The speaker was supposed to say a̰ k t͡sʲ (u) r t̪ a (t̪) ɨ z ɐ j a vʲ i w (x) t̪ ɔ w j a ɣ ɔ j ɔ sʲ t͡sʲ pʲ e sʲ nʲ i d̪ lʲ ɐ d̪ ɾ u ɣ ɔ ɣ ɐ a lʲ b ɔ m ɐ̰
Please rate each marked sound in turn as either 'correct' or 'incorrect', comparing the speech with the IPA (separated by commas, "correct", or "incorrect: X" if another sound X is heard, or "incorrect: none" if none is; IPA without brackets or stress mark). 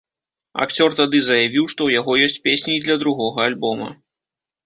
incorrect: ɔ, incorrect: d̪, incorrect: ʂ